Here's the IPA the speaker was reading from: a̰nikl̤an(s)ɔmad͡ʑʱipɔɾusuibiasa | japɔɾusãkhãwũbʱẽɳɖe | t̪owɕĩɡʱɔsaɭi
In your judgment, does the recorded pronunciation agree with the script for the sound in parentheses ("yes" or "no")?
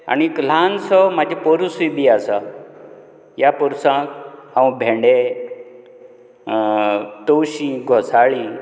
yes